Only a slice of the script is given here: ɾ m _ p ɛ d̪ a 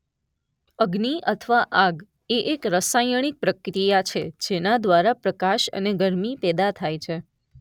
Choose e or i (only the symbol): i